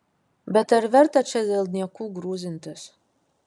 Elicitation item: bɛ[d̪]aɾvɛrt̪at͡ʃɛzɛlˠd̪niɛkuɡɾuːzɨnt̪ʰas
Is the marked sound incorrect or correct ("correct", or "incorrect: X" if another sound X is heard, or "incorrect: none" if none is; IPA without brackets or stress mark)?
incorrect: t̪